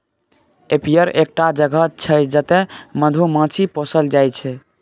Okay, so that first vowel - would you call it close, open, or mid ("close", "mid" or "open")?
mid